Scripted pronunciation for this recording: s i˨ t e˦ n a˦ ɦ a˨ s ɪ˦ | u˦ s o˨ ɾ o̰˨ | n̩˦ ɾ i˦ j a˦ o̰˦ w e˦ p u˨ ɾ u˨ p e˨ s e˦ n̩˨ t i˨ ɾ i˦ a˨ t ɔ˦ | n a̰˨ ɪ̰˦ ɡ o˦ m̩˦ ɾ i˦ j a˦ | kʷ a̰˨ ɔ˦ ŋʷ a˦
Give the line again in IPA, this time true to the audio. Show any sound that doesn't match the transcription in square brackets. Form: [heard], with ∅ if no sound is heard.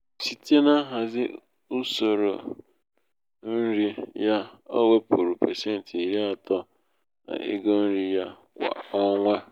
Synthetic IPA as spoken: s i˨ t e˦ n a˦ ɦ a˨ [z] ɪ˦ | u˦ s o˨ ɾ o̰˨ | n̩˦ ɾ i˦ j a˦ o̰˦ w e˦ p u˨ ɾ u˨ p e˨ s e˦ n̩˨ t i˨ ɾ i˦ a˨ t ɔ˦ | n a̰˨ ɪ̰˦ ɡ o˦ [n̩˦] ɾ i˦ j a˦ | kʷ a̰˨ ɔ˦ ŋʷ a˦